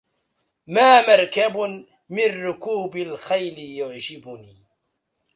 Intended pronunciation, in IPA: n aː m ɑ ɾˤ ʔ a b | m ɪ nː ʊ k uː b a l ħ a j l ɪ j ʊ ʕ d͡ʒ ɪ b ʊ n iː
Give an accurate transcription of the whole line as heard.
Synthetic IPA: m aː m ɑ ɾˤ k a b | m ɪ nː ʊ k uː b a l x a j l ɪ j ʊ ʕ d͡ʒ ɪ b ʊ n iː